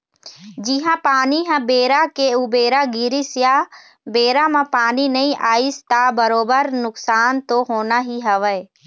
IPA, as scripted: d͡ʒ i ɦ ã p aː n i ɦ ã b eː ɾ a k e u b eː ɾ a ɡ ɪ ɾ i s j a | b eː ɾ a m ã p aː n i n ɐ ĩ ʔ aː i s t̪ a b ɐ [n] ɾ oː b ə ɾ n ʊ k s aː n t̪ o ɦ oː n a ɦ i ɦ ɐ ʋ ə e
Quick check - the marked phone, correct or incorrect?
incorrect